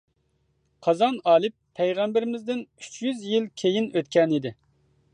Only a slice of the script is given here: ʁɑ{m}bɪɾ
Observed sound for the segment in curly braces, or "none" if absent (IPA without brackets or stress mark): m